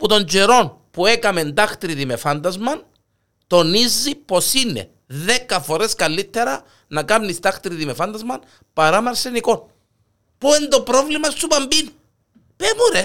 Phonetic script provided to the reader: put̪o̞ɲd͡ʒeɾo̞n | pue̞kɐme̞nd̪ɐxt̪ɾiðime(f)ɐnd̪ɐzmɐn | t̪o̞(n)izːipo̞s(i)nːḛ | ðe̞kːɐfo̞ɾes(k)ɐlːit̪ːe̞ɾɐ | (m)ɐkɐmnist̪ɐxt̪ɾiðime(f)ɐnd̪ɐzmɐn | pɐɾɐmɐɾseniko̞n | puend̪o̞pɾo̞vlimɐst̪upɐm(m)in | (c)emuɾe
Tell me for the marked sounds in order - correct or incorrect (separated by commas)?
correct, correct, correct, correct, incorrect, correct, incorrect, incorrect